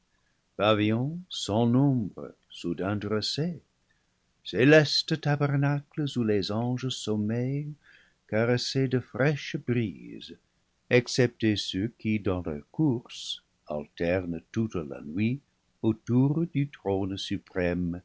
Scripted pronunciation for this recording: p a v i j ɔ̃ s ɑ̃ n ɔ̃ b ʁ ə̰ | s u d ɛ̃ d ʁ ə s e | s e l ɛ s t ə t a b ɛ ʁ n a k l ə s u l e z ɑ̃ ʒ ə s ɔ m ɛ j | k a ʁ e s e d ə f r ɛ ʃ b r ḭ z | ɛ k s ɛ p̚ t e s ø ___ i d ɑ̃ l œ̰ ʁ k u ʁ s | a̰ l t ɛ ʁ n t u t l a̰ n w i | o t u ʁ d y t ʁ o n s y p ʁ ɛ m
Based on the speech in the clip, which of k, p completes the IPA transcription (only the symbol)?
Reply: k